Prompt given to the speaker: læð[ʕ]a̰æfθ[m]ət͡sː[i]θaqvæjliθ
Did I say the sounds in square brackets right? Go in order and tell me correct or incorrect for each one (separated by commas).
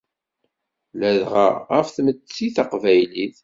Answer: incorrect, correct, correct